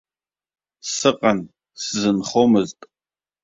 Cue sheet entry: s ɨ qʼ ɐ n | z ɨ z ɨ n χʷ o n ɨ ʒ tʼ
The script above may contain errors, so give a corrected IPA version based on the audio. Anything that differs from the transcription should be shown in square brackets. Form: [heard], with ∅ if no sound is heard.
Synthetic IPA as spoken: s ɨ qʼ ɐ n | [s] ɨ z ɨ n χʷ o [m] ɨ [z] tʼ